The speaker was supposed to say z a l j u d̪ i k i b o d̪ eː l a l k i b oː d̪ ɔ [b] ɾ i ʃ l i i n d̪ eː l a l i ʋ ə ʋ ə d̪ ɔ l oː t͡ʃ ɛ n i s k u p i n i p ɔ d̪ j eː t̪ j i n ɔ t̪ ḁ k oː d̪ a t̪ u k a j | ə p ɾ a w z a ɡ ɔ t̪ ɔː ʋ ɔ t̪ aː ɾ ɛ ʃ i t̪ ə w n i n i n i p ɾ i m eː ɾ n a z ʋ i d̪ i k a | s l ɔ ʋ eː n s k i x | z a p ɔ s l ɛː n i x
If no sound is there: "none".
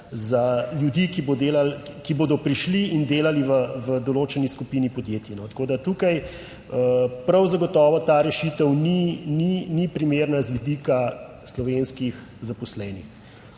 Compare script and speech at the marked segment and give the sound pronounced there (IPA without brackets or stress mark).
p